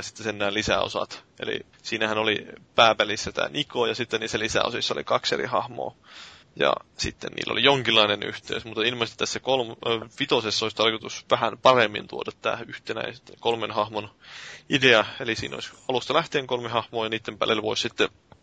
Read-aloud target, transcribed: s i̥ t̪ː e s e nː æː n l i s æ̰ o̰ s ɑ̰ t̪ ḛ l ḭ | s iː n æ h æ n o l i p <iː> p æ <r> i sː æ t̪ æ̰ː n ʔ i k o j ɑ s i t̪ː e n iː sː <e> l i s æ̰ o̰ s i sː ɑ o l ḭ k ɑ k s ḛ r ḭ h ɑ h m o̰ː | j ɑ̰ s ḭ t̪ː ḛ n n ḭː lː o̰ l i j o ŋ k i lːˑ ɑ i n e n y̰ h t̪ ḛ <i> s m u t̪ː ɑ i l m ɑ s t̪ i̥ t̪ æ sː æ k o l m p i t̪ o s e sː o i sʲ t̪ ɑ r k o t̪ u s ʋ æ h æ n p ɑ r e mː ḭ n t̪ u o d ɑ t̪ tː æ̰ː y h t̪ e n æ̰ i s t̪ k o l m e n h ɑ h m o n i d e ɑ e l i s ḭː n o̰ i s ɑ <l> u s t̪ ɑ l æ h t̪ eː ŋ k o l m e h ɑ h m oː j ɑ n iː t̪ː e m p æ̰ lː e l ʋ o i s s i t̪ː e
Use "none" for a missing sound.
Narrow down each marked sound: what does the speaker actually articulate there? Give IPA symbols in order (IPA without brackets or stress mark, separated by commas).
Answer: æː, l, æ, y, l